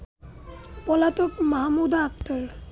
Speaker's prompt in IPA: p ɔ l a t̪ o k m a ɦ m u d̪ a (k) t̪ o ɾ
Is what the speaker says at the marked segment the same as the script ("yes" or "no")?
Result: yes